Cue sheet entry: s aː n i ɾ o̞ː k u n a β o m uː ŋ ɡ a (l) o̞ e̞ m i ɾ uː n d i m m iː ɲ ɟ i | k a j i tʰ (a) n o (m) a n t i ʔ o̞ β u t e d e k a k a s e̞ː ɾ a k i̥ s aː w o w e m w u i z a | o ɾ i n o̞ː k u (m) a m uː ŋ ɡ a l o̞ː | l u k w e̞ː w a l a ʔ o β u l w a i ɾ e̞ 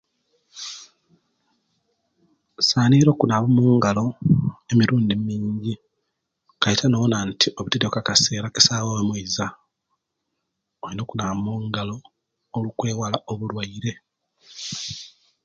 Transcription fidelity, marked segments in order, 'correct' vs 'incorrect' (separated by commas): correct, correct, incorrect, incorrect